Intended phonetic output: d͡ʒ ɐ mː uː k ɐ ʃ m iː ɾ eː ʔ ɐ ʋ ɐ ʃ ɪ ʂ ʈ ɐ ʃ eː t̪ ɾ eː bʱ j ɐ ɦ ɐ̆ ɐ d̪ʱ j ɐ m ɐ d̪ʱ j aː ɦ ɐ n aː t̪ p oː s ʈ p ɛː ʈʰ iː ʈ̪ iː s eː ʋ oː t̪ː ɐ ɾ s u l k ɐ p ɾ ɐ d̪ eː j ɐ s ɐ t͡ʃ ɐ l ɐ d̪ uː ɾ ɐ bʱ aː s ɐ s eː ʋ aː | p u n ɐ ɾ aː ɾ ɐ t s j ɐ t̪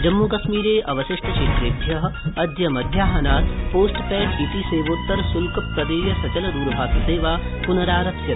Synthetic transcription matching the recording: d͡ʒ ɐ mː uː k ɐ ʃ m iː ɾ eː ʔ ɐ ʋ ɐ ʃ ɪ ʂ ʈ ɐ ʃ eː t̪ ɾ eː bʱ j ɐ ɦ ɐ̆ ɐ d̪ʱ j ɐ m ɐ d̪ʱ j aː ɦ ɐ n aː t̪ p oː s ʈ p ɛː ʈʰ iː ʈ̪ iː s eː ʋ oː t̪ː ɐ ɾ s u l k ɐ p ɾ ɐ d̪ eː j ɐ s ɐ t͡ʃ ɐ l ɐ d̪ uː ɾ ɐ bʱ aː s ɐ s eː ʋ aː | p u n ɐ ɾ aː ɾ ɐ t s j ɐ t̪

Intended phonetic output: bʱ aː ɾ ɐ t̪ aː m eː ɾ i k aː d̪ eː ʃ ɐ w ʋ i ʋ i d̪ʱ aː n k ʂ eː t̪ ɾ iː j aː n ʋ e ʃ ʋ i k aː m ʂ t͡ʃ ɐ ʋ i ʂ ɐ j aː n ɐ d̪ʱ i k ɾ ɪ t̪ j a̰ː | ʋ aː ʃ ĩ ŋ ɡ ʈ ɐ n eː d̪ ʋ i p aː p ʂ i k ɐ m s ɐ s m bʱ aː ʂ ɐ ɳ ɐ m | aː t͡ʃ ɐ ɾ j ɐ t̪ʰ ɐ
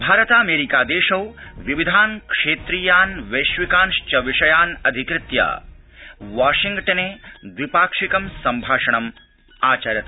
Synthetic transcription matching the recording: bʱ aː ɾ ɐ t̪ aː m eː ɾ i k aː d̪ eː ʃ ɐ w ʋ i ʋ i d̪ʱ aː n k ʂ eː t̪ ɾ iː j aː n ʋ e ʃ ʋ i k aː n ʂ t͡ʃ ɐ ʋ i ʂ ɐ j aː n ɐ d̪ʱ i k ɾ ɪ t̪ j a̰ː | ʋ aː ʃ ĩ ŋ ɡ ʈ ɐ n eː d̪ ʋ i p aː k ʂ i k ɐ m s ɐ m bʱ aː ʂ ɐ ɳ ɐ m | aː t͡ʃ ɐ ɾ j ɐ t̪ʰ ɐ

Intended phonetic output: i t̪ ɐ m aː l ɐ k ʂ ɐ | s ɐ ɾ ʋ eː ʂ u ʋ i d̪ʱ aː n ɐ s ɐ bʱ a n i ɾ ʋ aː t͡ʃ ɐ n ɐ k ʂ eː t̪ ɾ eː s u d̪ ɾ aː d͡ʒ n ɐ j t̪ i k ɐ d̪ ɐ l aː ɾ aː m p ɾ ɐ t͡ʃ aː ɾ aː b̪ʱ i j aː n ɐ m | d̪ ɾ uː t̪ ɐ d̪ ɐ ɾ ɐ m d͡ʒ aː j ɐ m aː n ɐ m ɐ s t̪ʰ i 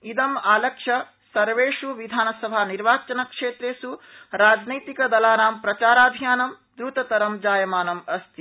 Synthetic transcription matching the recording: i d̪ ɐ m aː l ɐ k ʂ ɐ | s ɐ ɾ ʋ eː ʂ u ʋ i d̪ʱ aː n ɐ s ɐ bʱ a n i ɾ ʋ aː t͡ʃ ɐ n ɐ k ʂ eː t̪ ɾ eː s u ɾ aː d͡ʒ n ɐ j t̪ i k ɐ d̪ ɐ l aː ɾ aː m p ɾ ɐ t͡ʃ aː ɾ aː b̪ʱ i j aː n ɐ m | d̪ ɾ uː t̪ ɐ t̪ ɐ ɾ ɐ m d͡ʒ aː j ɐ m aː n ɐ m ɐ s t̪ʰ i

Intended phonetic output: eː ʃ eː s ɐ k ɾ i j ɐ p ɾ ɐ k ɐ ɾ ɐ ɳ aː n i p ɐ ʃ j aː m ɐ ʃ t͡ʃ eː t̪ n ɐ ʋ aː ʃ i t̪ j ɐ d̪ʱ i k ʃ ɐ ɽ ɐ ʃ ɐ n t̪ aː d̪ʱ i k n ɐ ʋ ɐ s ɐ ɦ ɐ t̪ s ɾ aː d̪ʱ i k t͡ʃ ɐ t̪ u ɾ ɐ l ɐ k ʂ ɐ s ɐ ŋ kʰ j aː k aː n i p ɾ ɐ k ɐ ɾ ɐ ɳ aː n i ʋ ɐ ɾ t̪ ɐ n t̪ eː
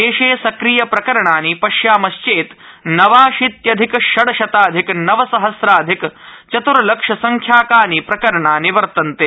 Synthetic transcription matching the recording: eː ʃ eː s ɐ k ɾ i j ɐ p ɾ ɐ k ɐ ɾ ɐ ɳ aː n i p ɐ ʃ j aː m ɐ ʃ t͡ʃ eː t̪ n ɐ ʋ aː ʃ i t̪ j ɐ d̪ʱ i k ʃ ɐ ɽ ɐ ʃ ɐ t̪ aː d̪ʱ i k n ɐ ʋ ɐ s ɐ ɦ ɐ s ɾ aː d̪ʱ i k t͡ʃ ɐ t̪ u ɾ ɐ l ɐ k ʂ ɐ s ɐ ŋ kʰ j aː k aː n i p ɾ ɐ k ɐ ɾ ɐ ɳ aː n i ʋ ɐ ɾ t̪ ɐ n t̪ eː

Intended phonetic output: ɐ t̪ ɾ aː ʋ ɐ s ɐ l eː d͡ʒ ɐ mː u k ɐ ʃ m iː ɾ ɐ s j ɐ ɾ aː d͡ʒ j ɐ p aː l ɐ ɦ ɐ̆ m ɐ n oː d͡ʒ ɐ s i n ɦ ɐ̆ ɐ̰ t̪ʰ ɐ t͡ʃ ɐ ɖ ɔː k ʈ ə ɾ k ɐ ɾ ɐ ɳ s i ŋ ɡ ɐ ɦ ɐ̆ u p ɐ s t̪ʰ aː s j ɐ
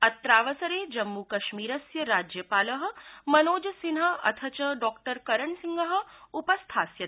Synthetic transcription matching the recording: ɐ t̪ ɾ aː ʋ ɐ s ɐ ɾ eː d͡ʒ ɐ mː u k ɐ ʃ m iː ɾ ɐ s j ɐ ɾ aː d͡ʒ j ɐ p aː l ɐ ɦ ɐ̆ m ɐ n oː d͡ʒ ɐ s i n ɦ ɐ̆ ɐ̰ t̪ʰ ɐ t͡ʃ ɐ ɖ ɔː k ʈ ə ɾ k ɐ ɾ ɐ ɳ s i ŋ ɡ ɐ ɦ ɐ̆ u p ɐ s t̪ʰ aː s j ɐ

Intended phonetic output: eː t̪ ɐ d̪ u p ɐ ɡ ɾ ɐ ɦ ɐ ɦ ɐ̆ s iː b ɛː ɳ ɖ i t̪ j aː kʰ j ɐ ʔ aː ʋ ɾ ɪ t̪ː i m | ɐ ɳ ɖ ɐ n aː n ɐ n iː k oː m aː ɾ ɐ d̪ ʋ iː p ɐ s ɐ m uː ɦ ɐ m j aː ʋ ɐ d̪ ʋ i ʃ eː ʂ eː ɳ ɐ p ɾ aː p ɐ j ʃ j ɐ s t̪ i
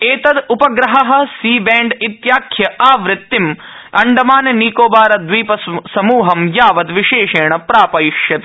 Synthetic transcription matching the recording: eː t̪ ɐ d̪ u p ɐ ɡ ɾ ɐ ɦ ɐ ɦ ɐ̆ s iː b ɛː ɳ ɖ i t̪ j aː kʰ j ɐ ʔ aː ʋ ɾ ɪ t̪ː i m | ɐ ɳ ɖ ɐ m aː n ɐ n iː k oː b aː ɾ ɐ d̪ ʋ iː p ɐ s ɐ m uː ɦ ɐ m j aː ʋ ɐ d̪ ʋ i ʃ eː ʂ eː ɳ ɐ p ɾ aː p ɐ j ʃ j ɐ t̪ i

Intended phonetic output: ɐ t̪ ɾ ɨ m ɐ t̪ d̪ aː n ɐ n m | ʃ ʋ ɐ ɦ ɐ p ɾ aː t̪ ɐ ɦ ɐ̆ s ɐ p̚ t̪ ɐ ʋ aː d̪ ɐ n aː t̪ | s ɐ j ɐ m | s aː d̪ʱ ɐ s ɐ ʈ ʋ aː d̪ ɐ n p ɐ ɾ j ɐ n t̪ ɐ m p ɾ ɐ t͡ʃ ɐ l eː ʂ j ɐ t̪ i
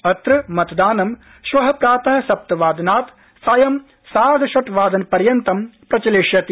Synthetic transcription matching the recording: ɐ t̪ ɾ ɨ m ɐ t̪ d̪ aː n ɐ m | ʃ ʋ ɐ ɦ ɐ p ɾ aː t̪ ɐ ɦ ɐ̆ s ɐ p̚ t̪ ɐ ʋ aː d̪ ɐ n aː t̪ | s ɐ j ɐ m | s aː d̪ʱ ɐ ʃ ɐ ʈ ʋ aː d̪ ɐ n p ɐ ɾ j ɐ n t̪ ɐ m p ɾ ɐ t͡ʃ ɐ l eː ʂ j ɐ t̪ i

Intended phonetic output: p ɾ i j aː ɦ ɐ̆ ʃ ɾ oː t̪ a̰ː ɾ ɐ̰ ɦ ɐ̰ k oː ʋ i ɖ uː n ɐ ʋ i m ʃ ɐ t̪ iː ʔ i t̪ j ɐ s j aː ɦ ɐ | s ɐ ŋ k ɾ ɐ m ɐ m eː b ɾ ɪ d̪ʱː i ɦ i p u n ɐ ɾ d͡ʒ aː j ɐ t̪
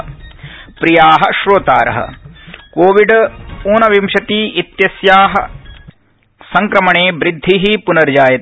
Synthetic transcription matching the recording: p ɾ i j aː ɦ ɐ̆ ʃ ɾ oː t̪ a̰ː ɾ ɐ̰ ɦ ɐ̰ k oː ʋ i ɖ uː n ɐ ʋ i m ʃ ɐ t̪ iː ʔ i t̪ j ɐ s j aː ɦ ɐ | s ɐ ŋ k ɾ ɐ m ɐ ɳ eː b ɾ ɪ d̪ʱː i ɦ i p u n ɐ ɾ d͡ʒ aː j ɐ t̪

